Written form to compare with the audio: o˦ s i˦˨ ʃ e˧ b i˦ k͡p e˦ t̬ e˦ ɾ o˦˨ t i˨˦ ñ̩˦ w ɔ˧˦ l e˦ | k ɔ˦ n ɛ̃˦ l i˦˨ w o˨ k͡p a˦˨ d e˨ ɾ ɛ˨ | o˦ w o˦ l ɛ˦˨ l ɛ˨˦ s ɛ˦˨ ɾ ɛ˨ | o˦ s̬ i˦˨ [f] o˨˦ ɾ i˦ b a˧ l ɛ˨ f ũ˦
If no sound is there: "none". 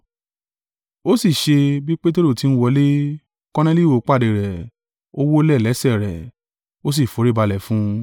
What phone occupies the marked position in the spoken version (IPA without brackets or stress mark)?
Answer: f